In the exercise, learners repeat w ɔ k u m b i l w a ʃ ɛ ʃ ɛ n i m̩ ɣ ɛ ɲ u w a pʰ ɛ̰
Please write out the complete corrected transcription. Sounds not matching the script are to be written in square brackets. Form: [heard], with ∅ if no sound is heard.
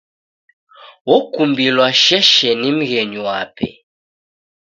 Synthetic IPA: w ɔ k u m b i l w a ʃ ɛ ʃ ɛ n i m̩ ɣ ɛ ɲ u w a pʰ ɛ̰